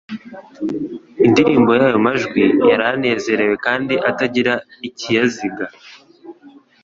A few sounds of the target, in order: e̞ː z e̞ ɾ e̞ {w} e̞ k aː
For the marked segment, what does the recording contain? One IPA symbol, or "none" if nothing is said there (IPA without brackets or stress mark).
w